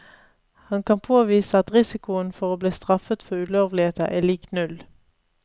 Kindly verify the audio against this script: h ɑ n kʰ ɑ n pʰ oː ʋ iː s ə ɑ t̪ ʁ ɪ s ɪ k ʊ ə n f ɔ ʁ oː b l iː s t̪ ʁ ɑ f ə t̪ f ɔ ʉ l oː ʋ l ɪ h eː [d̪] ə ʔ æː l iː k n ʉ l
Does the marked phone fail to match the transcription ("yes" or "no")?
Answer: yes